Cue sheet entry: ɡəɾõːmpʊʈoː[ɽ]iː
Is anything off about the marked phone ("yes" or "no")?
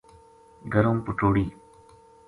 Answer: no